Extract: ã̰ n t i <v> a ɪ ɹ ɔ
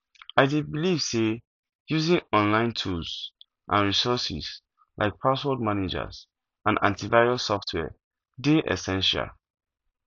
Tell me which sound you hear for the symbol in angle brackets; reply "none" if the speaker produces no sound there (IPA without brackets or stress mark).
v